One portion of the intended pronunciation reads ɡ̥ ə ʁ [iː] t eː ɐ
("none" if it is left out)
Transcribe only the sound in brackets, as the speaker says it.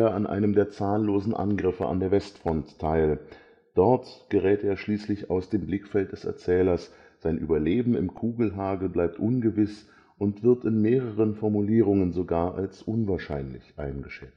ɛː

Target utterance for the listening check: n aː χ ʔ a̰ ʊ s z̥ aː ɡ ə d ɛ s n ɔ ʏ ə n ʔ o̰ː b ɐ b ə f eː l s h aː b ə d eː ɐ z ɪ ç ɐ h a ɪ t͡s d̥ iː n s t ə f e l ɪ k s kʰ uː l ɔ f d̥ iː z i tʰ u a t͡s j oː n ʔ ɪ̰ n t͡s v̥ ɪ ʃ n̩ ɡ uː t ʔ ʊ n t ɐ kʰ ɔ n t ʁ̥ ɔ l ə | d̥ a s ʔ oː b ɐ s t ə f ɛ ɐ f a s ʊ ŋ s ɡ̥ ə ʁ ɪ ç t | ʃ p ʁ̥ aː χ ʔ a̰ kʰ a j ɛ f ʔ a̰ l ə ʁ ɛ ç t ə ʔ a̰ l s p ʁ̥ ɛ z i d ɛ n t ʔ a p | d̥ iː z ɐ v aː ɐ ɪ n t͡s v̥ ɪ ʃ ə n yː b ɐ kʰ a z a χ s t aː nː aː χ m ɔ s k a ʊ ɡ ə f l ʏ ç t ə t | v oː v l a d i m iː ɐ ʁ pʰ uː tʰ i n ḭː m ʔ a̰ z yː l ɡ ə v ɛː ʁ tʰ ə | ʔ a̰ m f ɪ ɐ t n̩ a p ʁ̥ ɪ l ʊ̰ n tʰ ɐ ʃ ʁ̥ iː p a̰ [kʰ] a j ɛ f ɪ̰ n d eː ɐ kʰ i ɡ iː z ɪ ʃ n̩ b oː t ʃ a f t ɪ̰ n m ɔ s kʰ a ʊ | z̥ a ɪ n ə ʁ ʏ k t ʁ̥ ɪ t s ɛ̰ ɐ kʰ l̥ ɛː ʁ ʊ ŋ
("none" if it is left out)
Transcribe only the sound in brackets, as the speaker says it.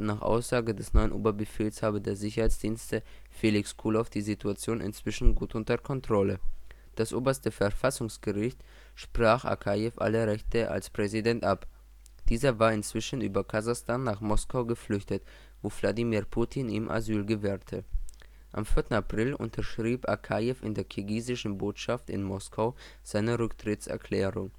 kʰ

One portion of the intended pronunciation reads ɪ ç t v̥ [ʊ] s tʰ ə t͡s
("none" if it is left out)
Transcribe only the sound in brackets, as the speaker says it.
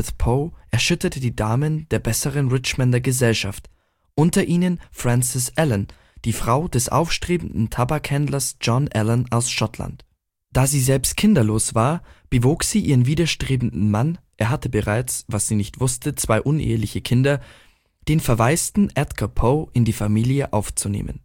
ʊ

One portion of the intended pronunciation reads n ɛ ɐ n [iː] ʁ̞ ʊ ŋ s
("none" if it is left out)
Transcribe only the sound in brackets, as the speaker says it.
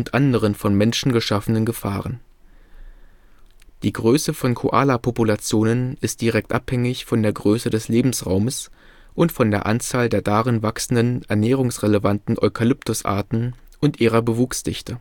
ɛː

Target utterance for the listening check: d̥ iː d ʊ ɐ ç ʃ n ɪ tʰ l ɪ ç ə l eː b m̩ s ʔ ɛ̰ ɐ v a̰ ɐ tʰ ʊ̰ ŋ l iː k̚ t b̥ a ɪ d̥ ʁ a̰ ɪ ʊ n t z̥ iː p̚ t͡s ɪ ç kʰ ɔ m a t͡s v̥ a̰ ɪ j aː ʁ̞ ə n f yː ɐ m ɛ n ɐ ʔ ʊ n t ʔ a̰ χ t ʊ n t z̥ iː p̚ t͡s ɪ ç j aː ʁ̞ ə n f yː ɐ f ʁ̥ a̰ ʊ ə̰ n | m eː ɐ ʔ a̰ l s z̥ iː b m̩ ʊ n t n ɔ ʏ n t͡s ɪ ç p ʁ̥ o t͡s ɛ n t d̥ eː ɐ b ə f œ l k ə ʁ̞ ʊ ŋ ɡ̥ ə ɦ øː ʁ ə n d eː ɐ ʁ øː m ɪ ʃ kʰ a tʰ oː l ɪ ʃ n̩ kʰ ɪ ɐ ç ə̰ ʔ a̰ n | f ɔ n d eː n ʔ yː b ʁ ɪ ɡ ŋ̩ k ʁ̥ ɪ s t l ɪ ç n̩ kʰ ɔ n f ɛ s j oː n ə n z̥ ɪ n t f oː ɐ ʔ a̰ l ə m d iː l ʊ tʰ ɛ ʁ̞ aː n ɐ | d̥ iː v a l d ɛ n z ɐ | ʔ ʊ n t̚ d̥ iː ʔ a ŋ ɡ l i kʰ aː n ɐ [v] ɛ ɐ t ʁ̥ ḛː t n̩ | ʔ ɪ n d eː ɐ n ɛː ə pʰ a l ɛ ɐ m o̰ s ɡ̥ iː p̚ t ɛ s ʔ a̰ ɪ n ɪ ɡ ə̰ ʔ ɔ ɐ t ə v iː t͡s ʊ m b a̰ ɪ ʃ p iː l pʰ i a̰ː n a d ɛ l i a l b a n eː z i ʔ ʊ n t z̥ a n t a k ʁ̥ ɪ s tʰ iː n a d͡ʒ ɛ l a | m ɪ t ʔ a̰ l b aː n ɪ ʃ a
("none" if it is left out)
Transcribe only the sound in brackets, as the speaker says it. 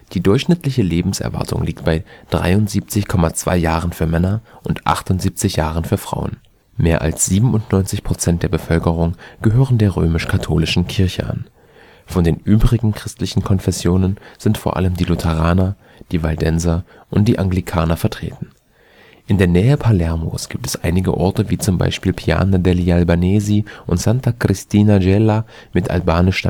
f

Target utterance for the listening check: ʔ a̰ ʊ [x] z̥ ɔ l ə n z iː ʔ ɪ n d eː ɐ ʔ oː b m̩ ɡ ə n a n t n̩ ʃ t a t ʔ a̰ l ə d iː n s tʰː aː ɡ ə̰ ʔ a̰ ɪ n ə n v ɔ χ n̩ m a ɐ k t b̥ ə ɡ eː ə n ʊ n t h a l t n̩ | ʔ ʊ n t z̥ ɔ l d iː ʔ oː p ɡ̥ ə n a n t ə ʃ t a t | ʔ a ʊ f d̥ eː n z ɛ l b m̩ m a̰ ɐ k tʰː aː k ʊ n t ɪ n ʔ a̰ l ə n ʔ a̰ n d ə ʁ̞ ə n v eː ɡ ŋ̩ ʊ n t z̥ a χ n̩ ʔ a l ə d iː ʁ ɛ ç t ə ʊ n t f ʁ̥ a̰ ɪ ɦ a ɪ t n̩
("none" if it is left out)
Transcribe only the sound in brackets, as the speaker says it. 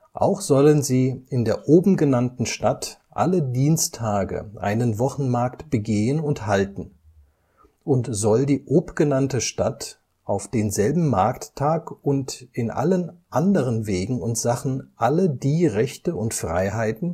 x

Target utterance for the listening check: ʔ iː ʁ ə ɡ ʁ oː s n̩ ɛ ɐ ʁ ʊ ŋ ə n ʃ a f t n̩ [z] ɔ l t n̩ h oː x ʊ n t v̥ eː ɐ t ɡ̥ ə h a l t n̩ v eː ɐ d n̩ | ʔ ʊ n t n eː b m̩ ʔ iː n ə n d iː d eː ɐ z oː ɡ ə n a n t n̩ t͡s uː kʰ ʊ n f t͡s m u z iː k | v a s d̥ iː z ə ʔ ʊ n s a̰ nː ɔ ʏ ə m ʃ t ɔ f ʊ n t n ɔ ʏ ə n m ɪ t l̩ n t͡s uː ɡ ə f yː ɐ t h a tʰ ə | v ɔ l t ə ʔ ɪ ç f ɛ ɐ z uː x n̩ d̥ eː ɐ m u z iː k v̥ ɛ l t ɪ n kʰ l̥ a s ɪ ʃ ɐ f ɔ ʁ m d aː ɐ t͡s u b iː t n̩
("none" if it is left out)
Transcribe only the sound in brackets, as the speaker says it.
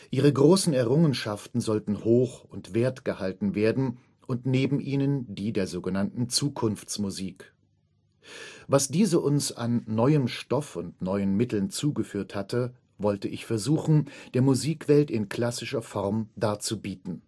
z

